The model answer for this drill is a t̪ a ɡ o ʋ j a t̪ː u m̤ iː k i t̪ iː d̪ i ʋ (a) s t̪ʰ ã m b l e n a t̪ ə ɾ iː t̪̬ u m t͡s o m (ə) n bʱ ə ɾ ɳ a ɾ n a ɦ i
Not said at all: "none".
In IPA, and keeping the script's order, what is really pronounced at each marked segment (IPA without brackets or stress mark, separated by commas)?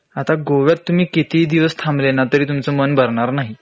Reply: ə, ə